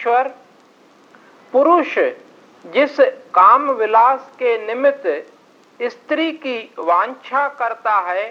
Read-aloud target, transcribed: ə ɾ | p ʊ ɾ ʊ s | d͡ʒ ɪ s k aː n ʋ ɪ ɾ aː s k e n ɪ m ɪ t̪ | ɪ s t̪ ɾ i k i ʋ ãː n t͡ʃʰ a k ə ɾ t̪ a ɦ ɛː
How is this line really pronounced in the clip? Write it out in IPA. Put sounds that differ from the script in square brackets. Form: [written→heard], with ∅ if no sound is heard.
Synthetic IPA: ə ɾ | p ʊ ɾ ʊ [s→ʃ] | d͡ʒ ɪ s k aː [n→m] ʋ ɪ [ɾ→l] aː s k e n ɪ m ɪ t̪ | ɪ s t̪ ɾ i k i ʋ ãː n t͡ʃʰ a k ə ɾ t̪ a ɦ ɛː